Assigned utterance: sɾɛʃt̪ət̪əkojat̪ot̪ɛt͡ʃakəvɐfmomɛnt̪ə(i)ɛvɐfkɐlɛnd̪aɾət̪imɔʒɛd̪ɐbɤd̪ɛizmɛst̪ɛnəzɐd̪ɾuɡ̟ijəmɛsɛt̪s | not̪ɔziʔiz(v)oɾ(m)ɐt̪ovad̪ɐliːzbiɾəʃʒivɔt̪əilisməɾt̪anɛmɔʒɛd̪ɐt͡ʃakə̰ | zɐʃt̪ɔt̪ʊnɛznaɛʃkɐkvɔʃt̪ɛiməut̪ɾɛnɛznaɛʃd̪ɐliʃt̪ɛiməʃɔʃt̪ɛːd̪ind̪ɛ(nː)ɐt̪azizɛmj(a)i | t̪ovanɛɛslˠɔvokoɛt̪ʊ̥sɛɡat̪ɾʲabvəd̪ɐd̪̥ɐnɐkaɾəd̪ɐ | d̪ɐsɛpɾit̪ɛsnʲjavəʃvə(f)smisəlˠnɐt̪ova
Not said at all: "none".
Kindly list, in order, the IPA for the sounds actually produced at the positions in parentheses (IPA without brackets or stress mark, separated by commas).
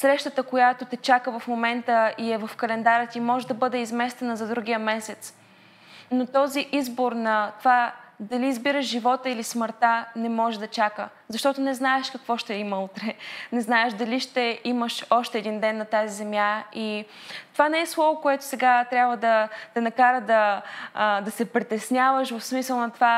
i, b, n, nː, a, f